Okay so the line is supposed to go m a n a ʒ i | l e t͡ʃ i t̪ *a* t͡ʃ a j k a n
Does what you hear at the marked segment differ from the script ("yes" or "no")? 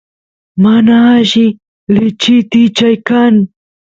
yes